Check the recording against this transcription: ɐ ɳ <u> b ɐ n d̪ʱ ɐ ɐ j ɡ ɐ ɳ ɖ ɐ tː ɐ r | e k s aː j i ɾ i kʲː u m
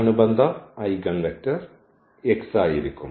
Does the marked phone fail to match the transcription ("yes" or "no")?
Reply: no